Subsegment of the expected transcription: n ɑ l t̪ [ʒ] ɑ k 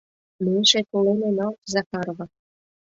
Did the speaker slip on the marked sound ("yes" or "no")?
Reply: yes